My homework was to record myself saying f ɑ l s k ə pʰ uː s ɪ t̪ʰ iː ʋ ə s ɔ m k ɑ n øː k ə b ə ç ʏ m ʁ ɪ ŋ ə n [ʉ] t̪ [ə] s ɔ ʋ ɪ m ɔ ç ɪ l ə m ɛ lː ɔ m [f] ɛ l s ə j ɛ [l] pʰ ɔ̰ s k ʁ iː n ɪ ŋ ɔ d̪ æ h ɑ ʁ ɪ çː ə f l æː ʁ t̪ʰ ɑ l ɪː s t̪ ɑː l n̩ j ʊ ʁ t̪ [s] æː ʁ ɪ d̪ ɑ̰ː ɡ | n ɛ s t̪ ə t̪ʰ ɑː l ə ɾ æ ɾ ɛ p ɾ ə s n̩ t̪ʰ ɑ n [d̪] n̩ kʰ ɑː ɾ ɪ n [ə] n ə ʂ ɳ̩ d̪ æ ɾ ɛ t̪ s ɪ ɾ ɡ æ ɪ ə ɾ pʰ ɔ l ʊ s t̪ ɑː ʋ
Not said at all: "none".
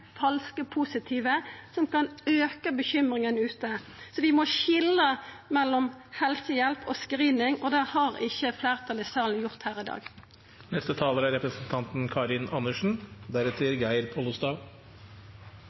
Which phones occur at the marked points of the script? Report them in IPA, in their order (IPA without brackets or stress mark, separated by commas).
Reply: ʉː, ə, h, l, h, t̪, ɑ